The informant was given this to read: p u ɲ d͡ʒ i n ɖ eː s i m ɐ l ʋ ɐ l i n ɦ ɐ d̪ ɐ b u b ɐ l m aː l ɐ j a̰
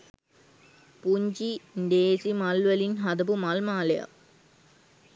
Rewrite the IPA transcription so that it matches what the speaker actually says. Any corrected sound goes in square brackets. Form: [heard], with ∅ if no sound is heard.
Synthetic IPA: p u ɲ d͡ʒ i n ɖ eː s i m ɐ l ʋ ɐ l i n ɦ ɐ d̪ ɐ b u [m] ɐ l m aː l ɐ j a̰